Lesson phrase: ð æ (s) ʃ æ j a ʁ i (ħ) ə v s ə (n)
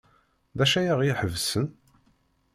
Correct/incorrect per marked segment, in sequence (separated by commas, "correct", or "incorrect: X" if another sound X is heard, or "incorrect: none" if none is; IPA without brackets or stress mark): incorrect: none, correct, correct